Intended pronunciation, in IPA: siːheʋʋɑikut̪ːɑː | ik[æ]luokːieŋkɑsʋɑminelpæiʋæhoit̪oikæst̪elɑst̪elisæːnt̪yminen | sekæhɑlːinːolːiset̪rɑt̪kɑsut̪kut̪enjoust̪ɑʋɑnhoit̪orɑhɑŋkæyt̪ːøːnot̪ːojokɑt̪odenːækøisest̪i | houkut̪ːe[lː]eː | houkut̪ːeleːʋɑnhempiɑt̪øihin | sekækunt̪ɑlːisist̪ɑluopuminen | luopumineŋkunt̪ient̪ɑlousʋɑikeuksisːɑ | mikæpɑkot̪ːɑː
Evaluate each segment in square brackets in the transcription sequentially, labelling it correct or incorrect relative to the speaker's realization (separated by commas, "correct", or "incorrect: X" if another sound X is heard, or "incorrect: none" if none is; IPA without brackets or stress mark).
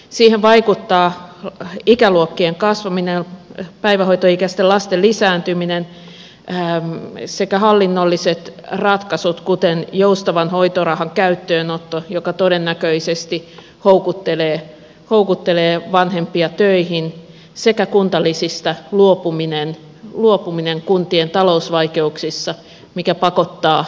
correct, incorrect: l